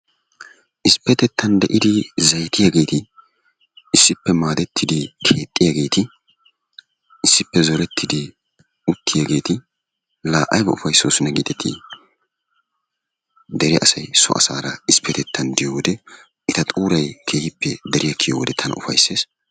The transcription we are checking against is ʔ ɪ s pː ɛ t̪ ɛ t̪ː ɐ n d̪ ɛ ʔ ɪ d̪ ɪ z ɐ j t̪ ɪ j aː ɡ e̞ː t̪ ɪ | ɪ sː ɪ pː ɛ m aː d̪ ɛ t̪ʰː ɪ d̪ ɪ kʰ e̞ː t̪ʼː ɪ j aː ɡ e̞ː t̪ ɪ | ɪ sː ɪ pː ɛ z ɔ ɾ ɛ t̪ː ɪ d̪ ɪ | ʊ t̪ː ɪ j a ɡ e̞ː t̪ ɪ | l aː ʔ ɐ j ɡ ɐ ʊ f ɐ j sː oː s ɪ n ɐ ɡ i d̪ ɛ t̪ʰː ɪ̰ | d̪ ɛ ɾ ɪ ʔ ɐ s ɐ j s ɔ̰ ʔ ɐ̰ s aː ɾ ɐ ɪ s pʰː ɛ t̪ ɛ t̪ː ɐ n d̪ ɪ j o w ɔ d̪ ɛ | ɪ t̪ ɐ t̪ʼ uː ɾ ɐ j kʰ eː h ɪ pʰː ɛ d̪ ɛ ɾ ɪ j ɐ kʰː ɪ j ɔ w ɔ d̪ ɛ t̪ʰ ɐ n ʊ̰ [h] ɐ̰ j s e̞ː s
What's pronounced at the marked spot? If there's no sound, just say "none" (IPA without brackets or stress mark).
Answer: f